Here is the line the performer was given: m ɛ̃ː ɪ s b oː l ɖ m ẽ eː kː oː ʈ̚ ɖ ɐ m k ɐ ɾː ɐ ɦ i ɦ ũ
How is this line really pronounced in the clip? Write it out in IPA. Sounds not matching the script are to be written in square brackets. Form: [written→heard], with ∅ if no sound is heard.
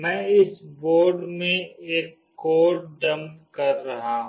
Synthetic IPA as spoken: m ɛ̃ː ɪ s b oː [l→ɾ] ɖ m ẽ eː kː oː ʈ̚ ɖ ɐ m k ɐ ɾː ɐ ɦ [i→a] ɦ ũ

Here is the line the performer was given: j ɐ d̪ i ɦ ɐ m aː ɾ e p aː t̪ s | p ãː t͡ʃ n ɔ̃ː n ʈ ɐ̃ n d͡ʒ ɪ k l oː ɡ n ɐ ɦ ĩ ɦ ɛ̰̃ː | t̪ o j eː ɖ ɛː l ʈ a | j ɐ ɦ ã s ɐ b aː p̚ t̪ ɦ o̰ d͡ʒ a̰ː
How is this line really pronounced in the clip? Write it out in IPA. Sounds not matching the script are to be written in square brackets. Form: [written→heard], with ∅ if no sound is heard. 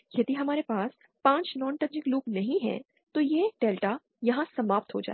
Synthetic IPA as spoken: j ɐ d̪ i ɦ ɐ m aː ɾ e p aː [t̪→∅] s | p ãː t͡ʃ n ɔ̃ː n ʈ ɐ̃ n d͡ʒ ɪ k l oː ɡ n ɐ ɦ ĩ ɦ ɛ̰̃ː | t̪ o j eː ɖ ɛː l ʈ a | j ɐ ɦ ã s ɐ [b→m] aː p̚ t̪ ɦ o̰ d͡ʒ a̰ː

